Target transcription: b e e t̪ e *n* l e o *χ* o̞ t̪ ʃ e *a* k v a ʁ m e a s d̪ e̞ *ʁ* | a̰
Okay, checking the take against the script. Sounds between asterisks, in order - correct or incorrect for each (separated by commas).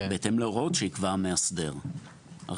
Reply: incorrect, incorrect, incorrect, correct